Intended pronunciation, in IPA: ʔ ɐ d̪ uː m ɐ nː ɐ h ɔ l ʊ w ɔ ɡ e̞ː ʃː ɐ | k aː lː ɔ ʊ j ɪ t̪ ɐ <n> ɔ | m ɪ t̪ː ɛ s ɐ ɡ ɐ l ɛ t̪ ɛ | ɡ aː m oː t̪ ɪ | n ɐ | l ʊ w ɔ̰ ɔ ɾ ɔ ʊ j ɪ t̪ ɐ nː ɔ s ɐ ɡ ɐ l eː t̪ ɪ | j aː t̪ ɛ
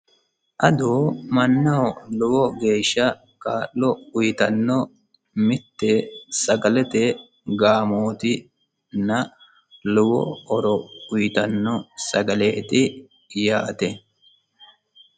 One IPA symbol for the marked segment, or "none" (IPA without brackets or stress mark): nː